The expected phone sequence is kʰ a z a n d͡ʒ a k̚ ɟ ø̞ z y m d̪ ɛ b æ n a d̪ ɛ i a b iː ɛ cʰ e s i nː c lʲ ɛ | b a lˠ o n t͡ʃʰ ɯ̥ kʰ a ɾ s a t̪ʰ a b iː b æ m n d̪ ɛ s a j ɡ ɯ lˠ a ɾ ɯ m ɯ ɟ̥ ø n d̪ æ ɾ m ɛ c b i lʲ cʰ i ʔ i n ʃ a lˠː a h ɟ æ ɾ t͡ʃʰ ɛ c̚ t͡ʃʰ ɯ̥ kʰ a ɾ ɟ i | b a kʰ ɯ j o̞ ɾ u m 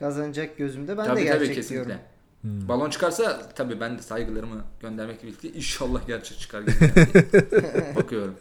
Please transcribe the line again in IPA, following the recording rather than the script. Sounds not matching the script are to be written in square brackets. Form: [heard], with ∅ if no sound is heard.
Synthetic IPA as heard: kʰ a z a n d͡ʒ a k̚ ɟ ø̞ z y m d̪ ɛ b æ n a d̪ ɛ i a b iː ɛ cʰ e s i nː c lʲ ɛ | b a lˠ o n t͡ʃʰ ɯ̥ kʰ a ɾ s a t̪ʰ a b iː b æ [∅] n d̪ ɛ s a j ɡ ɯ lˠ a ɾ ɯ m ɯ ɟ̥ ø n d̪ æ ɾ m ɛ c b i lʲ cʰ i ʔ i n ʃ a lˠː a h ɟ æ ɾ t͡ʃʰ ɛ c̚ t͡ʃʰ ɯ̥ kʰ a ɾ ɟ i | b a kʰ ɯ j o̞ ɾ u m